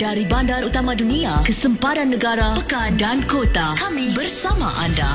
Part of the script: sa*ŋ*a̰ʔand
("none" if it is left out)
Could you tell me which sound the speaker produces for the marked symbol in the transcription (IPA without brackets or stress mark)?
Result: m